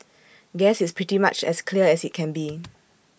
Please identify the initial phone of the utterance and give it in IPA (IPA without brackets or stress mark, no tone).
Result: ɡ